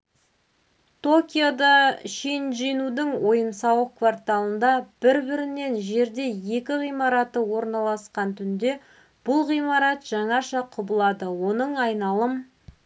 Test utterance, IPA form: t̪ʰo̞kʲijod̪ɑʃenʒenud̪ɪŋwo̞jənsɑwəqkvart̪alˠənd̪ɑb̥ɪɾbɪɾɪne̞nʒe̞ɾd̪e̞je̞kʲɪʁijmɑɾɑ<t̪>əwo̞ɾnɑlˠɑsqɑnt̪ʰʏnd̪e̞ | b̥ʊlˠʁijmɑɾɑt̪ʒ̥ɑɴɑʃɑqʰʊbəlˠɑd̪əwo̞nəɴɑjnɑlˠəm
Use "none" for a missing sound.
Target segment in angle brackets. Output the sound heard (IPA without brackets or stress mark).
t̪